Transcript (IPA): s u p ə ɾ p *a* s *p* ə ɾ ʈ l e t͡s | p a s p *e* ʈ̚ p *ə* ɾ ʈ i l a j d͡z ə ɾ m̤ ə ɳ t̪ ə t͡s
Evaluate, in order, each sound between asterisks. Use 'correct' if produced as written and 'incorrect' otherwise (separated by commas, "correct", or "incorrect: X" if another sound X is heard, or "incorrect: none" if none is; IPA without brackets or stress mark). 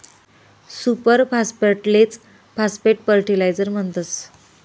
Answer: correct, correct, correct, correct